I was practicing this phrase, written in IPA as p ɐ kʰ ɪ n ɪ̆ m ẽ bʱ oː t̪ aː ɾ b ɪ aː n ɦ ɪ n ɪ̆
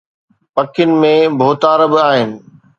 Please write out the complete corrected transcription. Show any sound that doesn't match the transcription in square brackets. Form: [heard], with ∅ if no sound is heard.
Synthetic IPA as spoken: p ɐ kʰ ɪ n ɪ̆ m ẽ bʱ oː t̪ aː ɾ b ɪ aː [∅] ɦ ɪ n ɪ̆